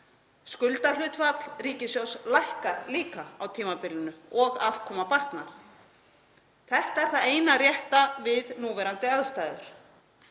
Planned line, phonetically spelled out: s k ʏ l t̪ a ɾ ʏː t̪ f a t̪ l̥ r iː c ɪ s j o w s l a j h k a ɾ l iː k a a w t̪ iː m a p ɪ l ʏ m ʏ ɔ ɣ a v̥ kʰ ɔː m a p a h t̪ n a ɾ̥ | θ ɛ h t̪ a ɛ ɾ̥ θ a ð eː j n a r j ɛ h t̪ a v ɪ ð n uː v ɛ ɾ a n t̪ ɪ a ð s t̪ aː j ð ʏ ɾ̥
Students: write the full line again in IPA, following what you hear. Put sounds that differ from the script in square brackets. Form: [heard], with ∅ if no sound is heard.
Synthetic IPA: s k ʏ l t̪ a [l] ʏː t̪ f a t̪ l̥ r iː c ɪ s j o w s l a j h k a ɾ l iː k a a w [t̪ʰ] iː m a p ɪ l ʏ [n] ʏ ɔ ɣ a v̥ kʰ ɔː m a p a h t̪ n a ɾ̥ | θ ɛ h t̪ a ɛ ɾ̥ θ a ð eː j n a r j ɛ h t̪ a v ɪ ð n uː v ɛ ɾ a n t̪ ɪ a ð s t̪ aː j ð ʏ ɾ̥